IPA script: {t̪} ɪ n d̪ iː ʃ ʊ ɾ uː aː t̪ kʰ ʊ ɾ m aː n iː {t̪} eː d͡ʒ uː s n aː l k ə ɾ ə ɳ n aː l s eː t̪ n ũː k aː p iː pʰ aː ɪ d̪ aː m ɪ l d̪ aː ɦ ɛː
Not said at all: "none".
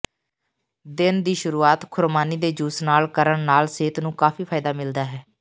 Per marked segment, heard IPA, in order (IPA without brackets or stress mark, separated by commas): d̪, d̪